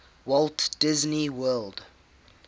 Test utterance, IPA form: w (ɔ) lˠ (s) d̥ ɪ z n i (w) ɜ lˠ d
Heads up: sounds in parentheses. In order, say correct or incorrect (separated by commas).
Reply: correct, incorrect, correct